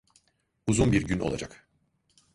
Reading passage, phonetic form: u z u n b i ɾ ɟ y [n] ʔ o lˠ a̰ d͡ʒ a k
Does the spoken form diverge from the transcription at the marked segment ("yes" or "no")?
no